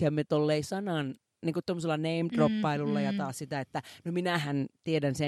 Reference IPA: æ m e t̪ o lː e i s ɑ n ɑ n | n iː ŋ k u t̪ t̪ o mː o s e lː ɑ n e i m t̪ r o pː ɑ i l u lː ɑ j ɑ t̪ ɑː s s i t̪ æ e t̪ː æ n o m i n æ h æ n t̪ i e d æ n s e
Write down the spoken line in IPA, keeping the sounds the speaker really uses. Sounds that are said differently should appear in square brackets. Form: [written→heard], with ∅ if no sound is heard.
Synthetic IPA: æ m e t̪ o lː e i s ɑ n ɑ n | n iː ŋ k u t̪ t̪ o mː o s e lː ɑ n e i m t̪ r o pː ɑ i l u lː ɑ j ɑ t̪ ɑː s s i t̪ æ e t̪ː æ n o m i n æ h æ n t̪ i e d æ n s e